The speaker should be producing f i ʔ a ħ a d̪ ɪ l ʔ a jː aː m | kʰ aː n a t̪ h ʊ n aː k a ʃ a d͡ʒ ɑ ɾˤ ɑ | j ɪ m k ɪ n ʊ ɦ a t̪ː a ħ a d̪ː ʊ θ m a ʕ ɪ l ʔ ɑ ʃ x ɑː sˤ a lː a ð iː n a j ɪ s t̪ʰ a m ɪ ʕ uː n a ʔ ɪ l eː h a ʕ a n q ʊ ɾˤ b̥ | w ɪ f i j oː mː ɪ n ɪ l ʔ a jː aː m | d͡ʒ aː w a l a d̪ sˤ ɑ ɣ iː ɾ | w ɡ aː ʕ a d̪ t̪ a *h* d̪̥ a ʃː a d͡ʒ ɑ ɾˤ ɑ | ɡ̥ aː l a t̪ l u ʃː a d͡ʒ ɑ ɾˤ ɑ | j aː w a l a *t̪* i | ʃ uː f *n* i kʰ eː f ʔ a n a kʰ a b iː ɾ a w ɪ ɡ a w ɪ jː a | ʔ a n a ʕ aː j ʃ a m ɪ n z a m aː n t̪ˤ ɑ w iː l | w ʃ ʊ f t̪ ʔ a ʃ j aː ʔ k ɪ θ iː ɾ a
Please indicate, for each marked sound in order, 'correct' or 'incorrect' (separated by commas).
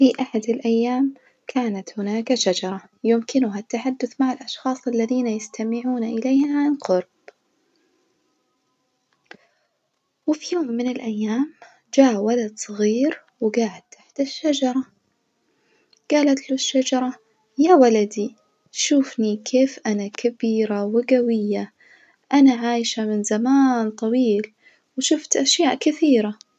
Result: incorrect, incorrect, correct